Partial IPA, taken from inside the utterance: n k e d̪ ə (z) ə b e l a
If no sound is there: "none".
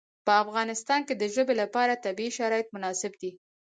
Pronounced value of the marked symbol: ʒ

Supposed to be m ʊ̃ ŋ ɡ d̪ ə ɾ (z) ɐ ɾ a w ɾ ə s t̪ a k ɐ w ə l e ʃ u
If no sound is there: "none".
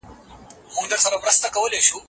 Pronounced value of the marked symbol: s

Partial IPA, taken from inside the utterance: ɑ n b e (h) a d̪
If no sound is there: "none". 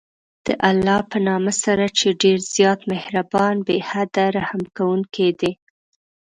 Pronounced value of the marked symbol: h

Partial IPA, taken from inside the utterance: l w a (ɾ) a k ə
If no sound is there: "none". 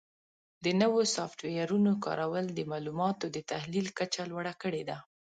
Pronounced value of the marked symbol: ɽ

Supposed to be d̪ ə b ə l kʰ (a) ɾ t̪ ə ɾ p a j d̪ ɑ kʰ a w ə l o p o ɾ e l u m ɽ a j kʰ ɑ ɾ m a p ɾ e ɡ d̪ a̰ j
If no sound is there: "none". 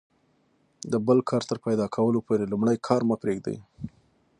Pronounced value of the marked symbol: ɑ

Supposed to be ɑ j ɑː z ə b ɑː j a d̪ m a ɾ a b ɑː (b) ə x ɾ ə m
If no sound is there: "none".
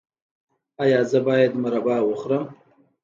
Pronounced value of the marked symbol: w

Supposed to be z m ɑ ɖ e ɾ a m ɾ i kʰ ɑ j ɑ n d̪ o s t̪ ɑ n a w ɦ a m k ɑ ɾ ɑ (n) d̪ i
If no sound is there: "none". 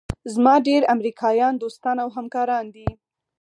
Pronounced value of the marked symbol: n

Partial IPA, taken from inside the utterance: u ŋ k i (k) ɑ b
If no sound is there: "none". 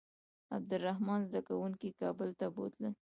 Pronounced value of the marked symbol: k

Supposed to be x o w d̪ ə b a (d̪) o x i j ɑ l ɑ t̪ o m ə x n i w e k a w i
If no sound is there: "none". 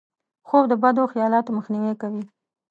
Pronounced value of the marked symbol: d̪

